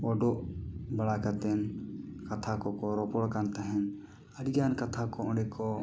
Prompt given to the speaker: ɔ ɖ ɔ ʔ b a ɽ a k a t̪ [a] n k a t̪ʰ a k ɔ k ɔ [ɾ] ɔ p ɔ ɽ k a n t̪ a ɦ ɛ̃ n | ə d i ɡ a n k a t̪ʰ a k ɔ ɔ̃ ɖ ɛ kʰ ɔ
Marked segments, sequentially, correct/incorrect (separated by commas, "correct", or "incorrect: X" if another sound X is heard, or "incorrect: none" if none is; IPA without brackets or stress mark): incorrect: ɛ, correct